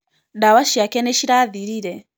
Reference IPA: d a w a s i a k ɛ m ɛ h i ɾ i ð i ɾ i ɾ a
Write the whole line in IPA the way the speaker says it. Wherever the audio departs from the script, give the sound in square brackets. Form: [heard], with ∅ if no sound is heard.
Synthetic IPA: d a w a [ʃ] i a k ɛ [n] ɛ [ʃ] i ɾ [a] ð i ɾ i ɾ [ɛ]